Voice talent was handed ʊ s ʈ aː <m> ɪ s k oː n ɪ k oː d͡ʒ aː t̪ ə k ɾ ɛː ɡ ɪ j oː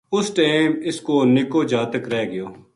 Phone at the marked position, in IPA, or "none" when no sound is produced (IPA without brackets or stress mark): m